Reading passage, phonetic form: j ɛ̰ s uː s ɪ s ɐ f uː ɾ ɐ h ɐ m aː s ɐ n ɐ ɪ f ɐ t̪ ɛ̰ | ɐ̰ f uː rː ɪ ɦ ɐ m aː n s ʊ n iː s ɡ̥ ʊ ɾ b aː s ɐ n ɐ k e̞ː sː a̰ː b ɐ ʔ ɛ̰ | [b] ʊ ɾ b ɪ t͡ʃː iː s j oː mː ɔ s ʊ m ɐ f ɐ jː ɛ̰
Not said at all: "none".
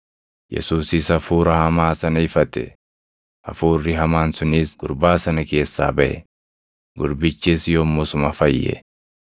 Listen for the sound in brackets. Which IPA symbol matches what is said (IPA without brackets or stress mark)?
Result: ɡ